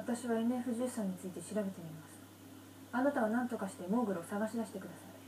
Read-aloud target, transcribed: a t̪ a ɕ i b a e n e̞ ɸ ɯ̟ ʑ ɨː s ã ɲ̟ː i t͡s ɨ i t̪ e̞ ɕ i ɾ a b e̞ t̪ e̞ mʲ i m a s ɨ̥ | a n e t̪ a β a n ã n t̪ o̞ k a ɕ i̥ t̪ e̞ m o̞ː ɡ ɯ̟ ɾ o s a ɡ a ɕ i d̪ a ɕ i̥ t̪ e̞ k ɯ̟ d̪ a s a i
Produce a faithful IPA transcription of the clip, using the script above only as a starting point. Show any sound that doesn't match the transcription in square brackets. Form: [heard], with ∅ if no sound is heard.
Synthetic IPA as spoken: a t̪ a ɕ i [β] a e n e̞ ɸ ɯ̟ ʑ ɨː s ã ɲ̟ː i t͡s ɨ i t̪ e̞ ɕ i ɾ a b e̞ t̪ e̞ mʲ i m a s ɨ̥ | a n [a] t̪ a β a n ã n t̪ o̞ k a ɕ i̥ t̪ e̞ m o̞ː ɡ ɯ̟ ɾ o s a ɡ a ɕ i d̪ a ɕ i̥ t̪ e̞ k ɯ̟ d̪ a s a i